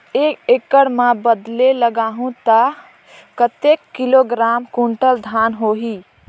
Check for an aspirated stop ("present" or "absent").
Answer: absent